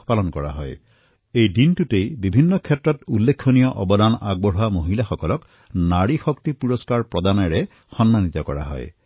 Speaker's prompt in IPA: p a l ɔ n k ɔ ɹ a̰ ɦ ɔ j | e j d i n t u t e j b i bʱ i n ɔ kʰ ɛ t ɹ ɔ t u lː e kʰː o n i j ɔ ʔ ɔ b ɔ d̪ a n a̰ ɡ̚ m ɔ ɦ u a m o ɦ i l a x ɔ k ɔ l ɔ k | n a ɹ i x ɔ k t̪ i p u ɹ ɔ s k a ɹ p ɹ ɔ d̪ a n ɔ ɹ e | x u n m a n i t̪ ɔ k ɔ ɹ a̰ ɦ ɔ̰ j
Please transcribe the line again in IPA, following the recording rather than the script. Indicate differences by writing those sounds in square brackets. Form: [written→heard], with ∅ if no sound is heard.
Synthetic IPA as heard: p a l ɔ n k ɔ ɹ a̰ ɦ ɔ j | e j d i n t u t e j b i bʱ i [n→nː] ɔ kʰ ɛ t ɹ ɔ t u lː e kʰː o n i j ɔ ʔ ɔ b ɔ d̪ a n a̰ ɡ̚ [m→b] ɔ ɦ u a m o ɦ i l a x ɔ k ɔ l ɔ k | n a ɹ i x ɔ k t̪ i p u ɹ ɔ s k a ɹ p ɹ ɔ d̪ a n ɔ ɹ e | x [u→ɔ] n m a n i t̪ ɔ k ɔ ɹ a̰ ɦ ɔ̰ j

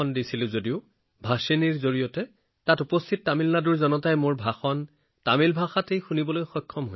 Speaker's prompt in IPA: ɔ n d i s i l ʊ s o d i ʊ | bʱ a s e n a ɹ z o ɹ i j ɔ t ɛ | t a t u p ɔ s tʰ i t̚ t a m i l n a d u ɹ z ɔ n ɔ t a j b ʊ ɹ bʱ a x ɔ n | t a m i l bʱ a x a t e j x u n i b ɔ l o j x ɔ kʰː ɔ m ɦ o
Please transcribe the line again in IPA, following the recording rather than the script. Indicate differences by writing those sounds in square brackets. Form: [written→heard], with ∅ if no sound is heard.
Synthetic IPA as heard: ɔ n d i s i l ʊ [s→z] o d i ʊ | bʱ a s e n [a→i] ɹ z o ɹ i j ɔ t ɛ | t a t u p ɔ s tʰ i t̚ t a m i l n a d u ɹ z ɔ n ɔ t a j [b→m] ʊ ɹ bʱ a x ɔ n | t a m i l bʱ a x a t e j x u n i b ɔ l o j x ɔ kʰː ɔ m ɦ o

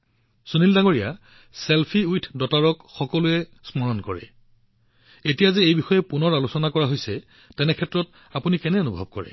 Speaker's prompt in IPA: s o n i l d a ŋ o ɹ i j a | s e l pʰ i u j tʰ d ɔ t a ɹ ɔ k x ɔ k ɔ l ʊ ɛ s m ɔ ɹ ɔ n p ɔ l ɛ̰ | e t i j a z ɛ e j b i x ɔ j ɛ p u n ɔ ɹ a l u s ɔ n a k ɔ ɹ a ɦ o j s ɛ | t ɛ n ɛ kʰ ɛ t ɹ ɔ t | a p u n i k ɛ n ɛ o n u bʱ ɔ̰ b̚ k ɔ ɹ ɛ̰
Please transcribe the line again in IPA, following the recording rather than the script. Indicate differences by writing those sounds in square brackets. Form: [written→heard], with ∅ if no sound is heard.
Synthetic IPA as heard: s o n i l d a ŋ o ɹ i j a | s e l pʰ i u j tʰ d ɔ t a ɹ ɔ k x ɔ k ɔ l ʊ ɛ s m ɔ ɹ ɔ n [p→k] ɔ [l→ɹ] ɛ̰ | e t i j a z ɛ e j b i x ɔ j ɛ p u n ɔ ɹ a l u s ɔ n a k ɔ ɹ a ɦ o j s ɛ | t ɛ n ɛ kʰ ɛ t ɹ ɔ t | a p u n i k ɛ n ɛ o n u bʱ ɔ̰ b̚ k ɔ ɹ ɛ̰

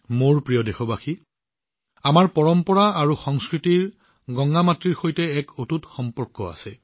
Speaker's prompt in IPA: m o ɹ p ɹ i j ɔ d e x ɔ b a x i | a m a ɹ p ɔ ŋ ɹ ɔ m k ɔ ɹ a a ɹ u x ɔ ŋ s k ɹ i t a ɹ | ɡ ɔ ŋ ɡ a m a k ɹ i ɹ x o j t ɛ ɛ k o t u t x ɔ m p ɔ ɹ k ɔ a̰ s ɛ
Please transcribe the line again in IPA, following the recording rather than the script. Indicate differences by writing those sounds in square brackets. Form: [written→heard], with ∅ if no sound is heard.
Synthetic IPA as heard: m o ɹ p ɹ i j ɔ d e x ɔ b a x i | a m a ɹ p ɔ [ŋ→∅] ɹ ɔ m [k→p] ɔ ɹ a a ɹ u x ɔ ŋ s k ɹ i t [a→i] ɹ | ɡ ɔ ŋ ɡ a m a [k→t] ɹ i ɹ x o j t ɛ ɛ k o t u t x ɔ m p ɔ ɹ k ɔ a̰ s ɛ

